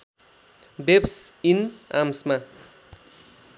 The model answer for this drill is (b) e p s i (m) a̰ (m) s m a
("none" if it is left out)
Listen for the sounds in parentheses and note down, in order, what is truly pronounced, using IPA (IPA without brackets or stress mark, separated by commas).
b, n, m